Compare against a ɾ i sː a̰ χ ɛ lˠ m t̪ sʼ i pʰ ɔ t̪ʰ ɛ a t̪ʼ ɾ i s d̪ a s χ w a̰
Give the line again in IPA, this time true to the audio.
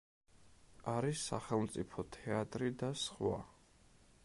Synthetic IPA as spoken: a ɾ i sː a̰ χ ɛ lˠ m t̪ sʼ i pʰ ɔ t̪ʰ ɛ a t̪ʼ ɾ i d̪ a s χ w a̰